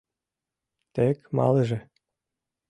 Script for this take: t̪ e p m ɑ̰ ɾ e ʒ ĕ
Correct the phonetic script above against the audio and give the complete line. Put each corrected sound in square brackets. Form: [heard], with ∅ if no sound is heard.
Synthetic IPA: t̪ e [k] m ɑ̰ [l] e ʒ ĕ

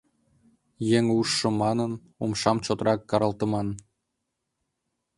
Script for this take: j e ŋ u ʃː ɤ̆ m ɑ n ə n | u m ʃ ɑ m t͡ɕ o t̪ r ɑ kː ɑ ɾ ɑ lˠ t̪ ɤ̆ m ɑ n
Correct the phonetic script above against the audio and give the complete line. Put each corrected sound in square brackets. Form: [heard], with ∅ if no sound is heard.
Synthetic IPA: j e ŋ u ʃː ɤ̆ m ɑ n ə n | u m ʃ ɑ m t͡ɕ o t̪ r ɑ kː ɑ ɾ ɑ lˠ t̪ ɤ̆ m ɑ n

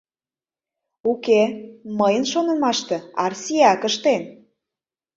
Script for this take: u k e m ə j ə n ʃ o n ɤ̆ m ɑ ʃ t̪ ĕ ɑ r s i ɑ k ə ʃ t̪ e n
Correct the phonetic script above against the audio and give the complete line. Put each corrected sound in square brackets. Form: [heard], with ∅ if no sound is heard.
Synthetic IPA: u k e m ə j ə n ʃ o n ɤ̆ m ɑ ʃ t̪ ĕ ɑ r s i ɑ k ə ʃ t̪ e n

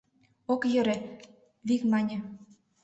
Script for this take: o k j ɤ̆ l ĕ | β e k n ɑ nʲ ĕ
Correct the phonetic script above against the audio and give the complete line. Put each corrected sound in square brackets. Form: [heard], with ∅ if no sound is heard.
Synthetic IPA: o k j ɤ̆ [ɾ] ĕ | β [i] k [m] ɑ nʲ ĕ

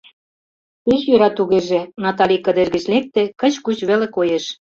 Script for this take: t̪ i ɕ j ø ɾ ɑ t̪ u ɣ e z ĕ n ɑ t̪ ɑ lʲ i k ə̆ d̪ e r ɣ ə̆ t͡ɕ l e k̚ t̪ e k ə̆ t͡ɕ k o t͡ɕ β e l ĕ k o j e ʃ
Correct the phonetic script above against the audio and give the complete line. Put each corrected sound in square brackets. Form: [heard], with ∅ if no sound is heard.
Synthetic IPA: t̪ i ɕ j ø ɾ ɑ t̪ u ɣ e [ʒ] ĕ n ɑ t̪ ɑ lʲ i k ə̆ d̪ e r ɣ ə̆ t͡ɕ l e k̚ t̪ e k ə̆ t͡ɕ k [u] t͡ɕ β e l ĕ k o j e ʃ

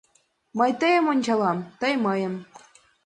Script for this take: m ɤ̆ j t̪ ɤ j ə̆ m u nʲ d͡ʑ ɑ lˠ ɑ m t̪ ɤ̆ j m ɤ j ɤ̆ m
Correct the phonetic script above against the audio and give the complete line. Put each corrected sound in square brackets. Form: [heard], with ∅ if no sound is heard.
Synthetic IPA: m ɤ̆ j t̪ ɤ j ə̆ m [o] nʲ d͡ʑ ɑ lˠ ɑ m t̪ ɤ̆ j m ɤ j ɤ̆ m

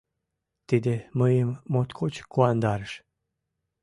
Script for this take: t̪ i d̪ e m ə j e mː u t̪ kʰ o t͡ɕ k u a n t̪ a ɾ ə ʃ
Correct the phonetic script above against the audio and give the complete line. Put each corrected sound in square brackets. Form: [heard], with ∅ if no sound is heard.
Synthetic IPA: t̪ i d̪ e m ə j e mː [o] t̪ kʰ o t͡ɕ k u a n [d̪] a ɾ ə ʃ

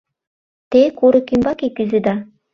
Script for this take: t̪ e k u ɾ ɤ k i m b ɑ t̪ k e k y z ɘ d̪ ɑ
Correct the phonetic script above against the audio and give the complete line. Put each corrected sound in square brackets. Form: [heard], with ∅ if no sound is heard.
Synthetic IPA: t̪ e k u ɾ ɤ k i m b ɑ [∅] k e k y z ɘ d̪ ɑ

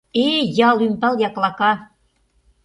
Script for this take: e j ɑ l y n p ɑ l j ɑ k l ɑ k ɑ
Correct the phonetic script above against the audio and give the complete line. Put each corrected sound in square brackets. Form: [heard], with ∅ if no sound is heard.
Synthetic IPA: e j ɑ l y [m] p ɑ l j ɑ k l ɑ k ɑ

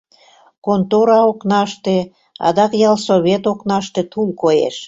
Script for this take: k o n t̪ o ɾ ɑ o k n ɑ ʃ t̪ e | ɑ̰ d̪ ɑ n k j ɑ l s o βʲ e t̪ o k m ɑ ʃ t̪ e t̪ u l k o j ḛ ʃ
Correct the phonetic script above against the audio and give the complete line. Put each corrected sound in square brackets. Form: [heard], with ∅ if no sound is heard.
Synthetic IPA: k o n t̪ o ɾ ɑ o k n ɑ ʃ t̪ e | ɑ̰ d̪ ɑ [∅] k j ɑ l s o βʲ e t̪ o k [n] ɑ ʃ t̪ e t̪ u l k o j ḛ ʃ

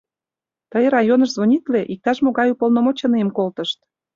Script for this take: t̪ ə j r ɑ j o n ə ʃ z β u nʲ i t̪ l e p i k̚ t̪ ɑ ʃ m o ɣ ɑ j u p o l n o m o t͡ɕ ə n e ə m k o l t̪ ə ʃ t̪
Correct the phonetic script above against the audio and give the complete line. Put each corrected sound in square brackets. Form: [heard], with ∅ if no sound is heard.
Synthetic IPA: t̪ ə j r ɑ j o n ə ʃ z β [o] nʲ i t̪ l e [ʔ] i k̚ t̪ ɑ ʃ m o ɣ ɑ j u p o l n o m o t͡ɕ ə n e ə m k o l t̪ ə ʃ t̪

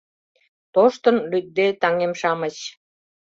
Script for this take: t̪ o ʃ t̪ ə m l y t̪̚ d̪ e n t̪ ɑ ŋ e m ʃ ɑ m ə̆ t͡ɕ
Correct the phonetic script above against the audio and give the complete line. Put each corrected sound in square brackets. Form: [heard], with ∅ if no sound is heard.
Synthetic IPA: t̪ o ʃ t̪ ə [n] l y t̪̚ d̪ e [∅] t̪ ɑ ŋ e m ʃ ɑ m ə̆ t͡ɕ

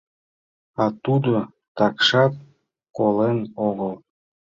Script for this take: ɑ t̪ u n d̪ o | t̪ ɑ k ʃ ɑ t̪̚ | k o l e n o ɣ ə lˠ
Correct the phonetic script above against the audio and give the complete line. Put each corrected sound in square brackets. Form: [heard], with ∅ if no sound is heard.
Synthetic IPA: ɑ t̪ u [∅] d̪ o | t̪ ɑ k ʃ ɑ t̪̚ | k o l e n o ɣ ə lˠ

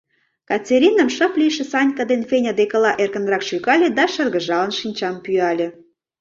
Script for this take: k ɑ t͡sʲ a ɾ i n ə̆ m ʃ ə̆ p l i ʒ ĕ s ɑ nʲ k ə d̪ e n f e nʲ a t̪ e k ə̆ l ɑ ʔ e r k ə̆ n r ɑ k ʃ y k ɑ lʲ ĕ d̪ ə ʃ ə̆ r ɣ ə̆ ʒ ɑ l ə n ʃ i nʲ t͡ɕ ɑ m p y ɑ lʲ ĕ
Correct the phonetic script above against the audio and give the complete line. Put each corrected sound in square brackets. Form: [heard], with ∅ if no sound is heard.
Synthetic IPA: k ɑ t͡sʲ [e] ɾ i n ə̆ m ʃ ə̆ p l i [ʃ] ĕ s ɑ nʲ k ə d̪ e n f e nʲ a [d̪] e k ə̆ l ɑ ʔ e r k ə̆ n r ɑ k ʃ y k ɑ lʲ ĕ d̪ [ɑ] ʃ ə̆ r ɣ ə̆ ʒ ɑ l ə n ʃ i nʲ t͡ɕ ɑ m p y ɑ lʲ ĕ

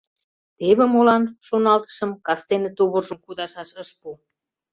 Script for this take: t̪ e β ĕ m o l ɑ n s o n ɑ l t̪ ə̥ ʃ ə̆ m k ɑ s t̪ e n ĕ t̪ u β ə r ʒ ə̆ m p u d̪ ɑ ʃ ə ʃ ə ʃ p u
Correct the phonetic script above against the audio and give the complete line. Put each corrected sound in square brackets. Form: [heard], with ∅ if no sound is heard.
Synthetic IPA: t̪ e β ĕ m o l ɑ n [ʃ] o n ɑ l t̪ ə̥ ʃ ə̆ m k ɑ s t̪ e n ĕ t̪ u β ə r ʒ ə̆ m [k] u d̪ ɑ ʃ [ɑ] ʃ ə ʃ p u

